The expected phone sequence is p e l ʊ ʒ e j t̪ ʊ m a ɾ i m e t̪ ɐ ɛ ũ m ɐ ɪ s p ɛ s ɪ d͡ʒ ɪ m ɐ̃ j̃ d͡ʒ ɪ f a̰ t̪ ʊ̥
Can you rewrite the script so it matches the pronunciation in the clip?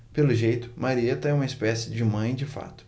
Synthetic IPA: p e l ʊ ʒ e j t̪ ʊ m a ɾ i e t̪ ɐ ɛ ũ m ɐ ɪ s p ɛ s ɪ d͡ʒ ɪ m ɐ̃ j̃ d͡ʒ ɪ f a̰ t̪ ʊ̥